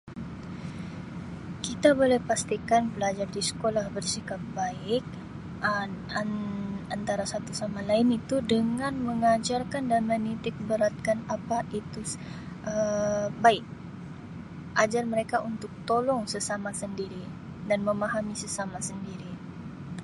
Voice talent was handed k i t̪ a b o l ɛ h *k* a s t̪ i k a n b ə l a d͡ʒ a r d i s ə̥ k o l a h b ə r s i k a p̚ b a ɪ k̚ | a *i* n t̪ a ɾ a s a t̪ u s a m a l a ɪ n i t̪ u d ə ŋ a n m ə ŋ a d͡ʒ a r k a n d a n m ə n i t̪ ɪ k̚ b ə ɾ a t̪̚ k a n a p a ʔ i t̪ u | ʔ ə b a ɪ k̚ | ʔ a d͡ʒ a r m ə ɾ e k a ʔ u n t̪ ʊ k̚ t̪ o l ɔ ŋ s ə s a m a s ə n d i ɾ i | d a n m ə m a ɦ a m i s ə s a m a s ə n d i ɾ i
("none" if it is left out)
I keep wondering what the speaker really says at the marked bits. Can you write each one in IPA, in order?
p, a

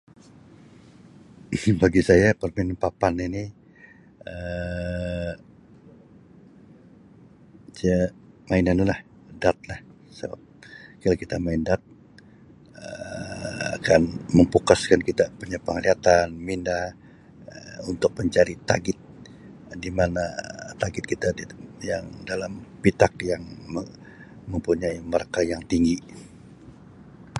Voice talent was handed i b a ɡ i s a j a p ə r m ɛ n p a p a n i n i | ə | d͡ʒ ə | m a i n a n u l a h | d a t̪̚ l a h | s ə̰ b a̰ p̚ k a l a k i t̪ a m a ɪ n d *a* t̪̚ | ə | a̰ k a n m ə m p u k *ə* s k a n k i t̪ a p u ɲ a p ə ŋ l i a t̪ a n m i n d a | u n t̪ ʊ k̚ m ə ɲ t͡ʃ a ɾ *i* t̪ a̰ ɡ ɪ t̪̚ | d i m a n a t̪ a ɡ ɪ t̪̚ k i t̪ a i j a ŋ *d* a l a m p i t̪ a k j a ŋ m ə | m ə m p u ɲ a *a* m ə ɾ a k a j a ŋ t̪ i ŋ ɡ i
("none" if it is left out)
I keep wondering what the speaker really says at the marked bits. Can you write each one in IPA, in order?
a, a, i, d, i

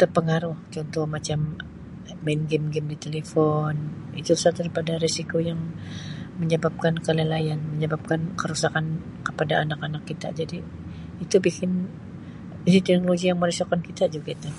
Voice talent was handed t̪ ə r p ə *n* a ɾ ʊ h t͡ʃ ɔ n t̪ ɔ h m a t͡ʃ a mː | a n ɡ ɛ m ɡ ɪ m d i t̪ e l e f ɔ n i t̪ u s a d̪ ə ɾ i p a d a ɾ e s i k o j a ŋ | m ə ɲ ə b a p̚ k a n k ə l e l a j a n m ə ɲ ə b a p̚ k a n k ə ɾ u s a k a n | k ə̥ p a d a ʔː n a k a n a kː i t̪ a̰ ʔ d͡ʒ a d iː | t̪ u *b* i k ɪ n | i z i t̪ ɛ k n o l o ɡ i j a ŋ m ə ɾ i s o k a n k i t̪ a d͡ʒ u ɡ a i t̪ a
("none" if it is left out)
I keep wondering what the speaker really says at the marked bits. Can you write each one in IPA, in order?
ŋ, b

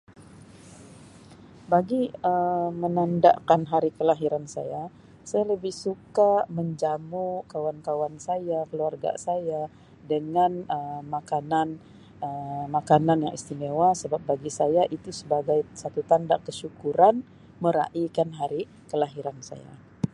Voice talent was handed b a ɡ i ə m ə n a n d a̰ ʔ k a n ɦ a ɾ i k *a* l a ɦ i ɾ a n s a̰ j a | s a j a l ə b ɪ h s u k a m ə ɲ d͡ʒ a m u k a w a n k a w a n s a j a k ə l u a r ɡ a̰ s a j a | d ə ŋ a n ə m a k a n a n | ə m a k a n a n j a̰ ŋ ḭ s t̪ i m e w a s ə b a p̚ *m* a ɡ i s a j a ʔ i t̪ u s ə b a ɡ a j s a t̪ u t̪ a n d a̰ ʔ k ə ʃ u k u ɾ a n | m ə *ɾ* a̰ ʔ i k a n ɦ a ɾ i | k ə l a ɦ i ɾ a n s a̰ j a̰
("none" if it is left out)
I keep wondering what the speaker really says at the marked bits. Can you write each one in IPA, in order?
ə, b, ɾ

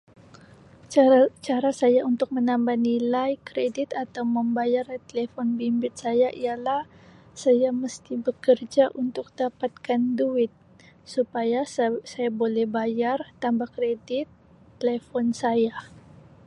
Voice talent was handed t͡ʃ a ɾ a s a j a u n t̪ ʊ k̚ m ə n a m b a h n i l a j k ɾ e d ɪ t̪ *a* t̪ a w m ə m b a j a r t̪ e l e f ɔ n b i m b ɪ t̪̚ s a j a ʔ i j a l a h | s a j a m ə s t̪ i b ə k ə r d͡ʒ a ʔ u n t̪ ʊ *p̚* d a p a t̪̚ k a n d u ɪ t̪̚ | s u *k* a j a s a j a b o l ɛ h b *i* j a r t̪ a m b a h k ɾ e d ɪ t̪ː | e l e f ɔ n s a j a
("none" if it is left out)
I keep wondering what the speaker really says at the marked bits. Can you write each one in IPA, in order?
a, k̚, p, a

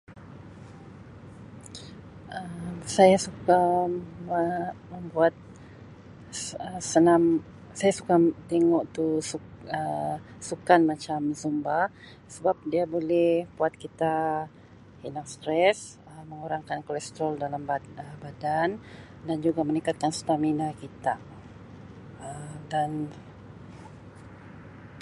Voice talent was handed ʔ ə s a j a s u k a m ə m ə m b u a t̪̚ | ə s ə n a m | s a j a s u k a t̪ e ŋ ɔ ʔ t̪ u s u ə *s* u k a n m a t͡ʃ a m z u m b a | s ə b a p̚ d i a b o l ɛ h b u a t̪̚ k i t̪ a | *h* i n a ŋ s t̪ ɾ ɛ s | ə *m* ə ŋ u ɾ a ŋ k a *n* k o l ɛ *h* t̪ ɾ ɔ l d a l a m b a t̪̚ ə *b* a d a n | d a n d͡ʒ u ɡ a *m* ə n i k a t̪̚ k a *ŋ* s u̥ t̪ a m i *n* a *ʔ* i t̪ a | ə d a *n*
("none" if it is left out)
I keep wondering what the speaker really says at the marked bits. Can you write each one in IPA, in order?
s, h, m, n, s, b, m, n, n, k, n

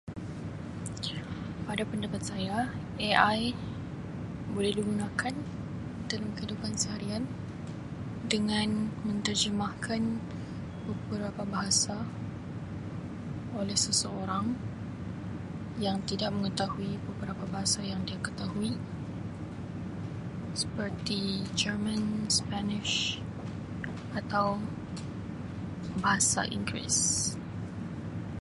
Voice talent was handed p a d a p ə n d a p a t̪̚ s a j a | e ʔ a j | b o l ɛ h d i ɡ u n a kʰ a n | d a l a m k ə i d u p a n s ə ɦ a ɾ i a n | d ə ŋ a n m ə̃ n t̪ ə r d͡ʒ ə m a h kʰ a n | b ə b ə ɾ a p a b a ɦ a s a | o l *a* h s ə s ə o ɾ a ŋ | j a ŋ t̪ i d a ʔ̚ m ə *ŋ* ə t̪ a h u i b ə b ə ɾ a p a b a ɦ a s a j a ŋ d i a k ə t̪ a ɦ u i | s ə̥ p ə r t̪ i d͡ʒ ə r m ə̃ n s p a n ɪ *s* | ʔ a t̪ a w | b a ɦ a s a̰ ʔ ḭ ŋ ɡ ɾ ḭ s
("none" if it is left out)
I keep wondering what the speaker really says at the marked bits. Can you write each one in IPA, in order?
ɛ, ŋ, ʃ

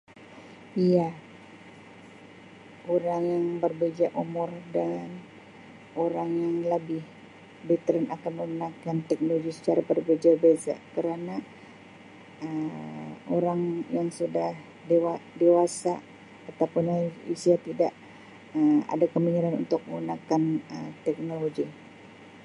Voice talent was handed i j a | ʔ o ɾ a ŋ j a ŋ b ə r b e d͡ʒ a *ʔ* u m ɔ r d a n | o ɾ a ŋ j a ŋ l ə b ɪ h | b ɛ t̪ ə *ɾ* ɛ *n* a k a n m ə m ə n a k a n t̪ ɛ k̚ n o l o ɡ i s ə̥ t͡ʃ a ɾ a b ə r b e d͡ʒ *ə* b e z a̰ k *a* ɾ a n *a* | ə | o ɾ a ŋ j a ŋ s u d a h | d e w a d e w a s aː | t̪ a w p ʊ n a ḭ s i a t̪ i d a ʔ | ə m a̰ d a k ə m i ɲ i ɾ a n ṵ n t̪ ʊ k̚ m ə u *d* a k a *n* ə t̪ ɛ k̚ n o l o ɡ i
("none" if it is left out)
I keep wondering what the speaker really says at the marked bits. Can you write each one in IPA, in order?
ʔ, ɾ, n, a, ə, a, n, n

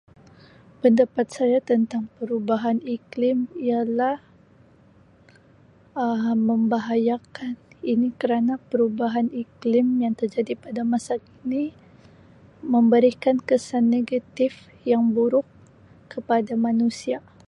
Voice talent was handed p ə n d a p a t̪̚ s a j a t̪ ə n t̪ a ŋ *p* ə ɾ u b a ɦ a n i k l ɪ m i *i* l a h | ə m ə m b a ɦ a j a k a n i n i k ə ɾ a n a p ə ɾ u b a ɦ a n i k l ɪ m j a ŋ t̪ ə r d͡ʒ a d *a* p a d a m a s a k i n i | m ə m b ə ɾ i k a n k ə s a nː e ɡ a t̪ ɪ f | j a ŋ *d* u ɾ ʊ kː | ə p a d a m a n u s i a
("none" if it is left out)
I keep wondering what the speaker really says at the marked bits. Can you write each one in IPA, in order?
p, a, i, b

